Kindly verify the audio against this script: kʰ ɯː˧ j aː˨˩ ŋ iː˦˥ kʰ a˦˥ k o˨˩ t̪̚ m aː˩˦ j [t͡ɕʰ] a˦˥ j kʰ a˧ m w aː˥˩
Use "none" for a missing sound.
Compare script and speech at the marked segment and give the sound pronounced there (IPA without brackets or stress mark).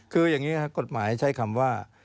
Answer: t͡ɕʰ